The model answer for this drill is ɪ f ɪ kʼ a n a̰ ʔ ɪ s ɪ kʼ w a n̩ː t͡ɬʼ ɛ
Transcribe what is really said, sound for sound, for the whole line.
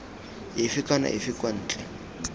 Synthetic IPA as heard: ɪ f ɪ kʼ a n a̰ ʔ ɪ f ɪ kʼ w a n̩ː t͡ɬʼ ɛ